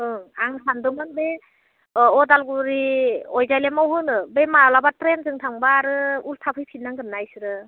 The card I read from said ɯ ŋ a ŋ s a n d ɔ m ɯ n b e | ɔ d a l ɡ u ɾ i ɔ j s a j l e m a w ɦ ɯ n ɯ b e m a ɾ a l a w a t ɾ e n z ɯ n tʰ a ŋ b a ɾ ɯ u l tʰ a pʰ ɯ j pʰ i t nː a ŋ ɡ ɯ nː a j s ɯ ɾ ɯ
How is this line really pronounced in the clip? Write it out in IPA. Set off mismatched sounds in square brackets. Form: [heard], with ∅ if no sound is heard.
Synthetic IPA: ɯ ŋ a ŋ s a n d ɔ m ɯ n b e | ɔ d a l ɡ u ɾ i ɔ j [z] a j l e m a w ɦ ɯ n ɯ b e m a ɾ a l a [b] a t ɾ e n z ɯ [ŋ] tʰ a ŋ b a ɾ ɯ u l tʰ a pʰ ɯ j pʰ i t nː a ŋ ɡ ɯ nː a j s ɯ ɾ ɯ